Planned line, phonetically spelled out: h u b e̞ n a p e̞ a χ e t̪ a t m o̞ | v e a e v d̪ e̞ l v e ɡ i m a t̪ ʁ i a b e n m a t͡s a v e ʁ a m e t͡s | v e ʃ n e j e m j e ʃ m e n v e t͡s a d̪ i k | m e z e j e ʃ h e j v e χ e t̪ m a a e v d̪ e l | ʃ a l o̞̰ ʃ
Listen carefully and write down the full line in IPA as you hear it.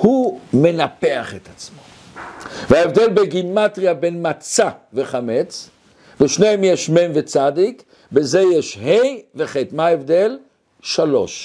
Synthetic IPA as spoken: h u m e̞ n a p e̞ a χ e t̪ a t͡s m o̞ | v e a e v d̪ e̞ l b e ɡ i m a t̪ ʁ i a b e n m a t͡s a v e χ a m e t͡s | v e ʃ n e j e m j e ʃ m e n v e t͡s a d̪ i k | b e z e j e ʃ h e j v e χ e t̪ m a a e v d̪ e l | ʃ a l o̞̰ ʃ